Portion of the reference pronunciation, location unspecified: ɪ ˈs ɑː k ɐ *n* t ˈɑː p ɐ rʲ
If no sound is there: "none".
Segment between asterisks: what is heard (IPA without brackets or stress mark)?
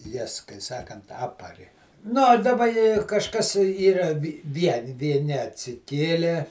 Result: n